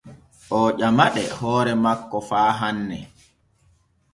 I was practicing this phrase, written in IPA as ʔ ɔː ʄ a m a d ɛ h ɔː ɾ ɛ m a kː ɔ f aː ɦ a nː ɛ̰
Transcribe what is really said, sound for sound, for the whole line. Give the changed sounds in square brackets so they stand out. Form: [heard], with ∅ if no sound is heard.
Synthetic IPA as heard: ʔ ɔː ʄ a m a [ɗ] ɛ h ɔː ɾ ɛ m a kː ɔ f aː ɦ a nː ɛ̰

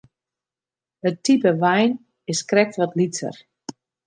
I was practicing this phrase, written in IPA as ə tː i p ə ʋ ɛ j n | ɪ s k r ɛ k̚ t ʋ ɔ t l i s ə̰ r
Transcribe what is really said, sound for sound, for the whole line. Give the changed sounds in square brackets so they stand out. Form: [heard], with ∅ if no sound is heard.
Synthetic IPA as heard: ə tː i p ə ʋ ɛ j n | ɪ s k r ɛ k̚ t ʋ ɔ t l i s ə̰ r

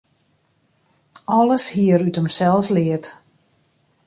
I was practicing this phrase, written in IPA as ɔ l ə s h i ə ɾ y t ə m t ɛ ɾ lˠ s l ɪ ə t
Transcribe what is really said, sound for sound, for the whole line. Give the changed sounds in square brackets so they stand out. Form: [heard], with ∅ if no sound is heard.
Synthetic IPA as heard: ɔ l ə s h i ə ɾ y t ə m [s] ɛ [∅] lˠ s l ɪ ə t

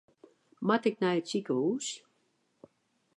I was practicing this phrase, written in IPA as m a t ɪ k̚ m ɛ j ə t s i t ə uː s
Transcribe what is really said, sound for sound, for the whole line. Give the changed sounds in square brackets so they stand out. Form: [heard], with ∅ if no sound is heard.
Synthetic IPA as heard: m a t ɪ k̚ [n] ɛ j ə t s i [k] ə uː s

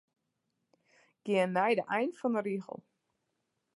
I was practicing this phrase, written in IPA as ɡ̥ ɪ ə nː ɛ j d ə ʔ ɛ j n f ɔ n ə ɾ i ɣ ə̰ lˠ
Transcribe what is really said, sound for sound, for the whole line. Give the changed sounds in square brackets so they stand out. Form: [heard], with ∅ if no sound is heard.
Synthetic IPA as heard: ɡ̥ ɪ ə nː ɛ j d ə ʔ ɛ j n f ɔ n ə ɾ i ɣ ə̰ lˠ

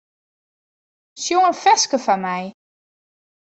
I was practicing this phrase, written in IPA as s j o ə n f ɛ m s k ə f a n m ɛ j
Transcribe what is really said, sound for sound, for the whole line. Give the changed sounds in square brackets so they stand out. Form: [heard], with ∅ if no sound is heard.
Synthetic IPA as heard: s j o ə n f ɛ [∅] s k ə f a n m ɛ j

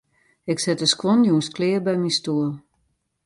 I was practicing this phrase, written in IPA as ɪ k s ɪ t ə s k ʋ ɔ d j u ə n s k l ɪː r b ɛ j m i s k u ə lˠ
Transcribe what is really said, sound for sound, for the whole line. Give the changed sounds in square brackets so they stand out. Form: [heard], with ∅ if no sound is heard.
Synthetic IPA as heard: ɪ k s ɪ t ə s k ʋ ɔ [n] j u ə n s k l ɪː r b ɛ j m i s [t] u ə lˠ

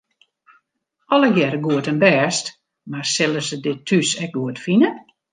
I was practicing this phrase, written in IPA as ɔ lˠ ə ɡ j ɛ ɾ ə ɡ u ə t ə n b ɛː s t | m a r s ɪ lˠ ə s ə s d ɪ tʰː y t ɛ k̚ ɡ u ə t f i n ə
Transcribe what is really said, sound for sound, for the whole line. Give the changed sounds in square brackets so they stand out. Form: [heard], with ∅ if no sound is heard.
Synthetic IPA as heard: ɔ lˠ ə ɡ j ɛ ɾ ə ɡ u ə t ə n b ɛː s t | m a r s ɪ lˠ ə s ə [∅] d ɪ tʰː y [s] ɛ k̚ ɡ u ə t f i n ə

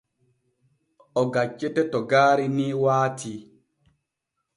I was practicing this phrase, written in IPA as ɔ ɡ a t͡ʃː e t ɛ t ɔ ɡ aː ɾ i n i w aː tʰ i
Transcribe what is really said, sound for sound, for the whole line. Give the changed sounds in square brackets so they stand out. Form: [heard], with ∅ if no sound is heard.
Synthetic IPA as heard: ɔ ɡ a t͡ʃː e t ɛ t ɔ ɡ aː ɾ i n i w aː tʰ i

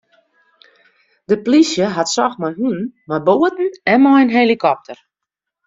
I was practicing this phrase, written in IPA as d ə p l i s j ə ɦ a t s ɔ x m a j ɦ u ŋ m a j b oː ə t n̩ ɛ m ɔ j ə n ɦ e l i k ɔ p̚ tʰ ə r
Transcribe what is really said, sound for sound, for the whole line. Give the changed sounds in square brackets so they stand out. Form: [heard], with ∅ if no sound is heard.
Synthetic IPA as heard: d ə p l i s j ə ɦ a t s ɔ x m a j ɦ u [n] m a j b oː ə t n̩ ɛ m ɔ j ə n ɦ e l i k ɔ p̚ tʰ ə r

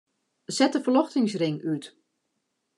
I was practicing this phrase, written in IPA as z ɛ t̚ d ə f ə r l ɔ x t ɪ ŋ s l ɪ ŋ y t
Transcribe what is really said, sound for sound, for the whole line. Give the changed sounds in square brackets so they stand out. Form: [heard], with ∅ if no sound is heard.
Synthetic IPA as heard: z ɛ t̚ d ə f ə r l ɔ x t ɪ ŋ s [r] ɪ ŋ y t

